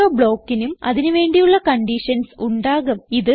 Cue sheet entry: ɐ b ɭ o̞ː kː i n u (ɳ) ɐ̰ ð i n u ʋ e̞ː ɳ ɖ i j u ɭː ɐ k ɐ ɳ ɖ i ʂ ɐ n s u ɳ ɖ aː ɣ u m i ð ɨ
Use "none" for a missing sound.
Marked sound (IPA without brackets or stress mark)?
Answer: m